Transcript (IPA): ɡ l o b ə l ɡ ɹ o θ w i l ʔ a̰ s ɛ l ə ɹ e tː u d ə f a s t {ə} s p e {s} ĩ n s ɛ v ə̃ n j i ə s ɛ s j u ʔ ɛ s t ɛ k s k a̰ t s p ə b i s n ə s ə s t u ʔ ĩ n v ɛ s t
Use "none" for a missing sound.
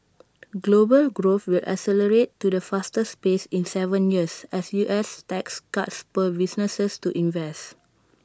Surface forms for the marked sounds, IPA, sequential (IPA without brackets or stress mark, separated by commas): ə, s